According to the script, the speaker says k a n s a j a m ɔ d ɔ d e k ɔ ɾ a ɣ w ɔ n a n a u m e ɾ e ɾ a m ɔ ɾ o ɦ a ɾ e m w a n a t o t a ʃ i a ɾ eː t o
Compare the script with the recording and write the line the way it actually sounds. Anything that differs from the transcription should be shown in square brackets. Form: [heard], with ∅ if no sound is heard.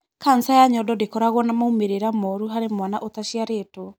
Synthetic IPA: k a n s a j a [ɲ] ɔ d ɔ d e k ɔ ɾ a ɣ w ɔ n a [m] a u m e ɾ e ɾ a m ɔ ɾ [u] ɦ a ɾ e m w a n a [ʔ] o t a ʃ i a ɾ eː t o